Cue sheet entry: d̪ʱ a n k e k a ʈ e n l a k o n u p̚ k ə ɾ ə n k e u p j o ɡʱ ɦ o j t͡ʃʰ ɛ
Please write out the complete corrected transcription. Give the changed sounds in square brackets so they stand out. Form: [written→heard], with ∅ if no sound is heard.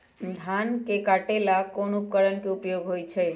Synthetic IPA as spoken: d̪ʱ a n k e k a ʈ e [n→∅] l a k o n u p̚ k ə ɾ ə n k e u p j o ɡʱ ɦ o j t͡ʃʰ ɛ